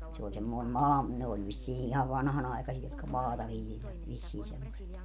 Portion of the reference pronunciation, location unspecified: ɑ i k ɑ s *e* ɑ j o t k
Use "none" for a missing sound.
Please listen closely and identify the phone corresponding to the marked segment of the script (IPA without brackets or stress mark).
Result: i